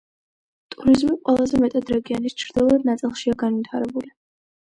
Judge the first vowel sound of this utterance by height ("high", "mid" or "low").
high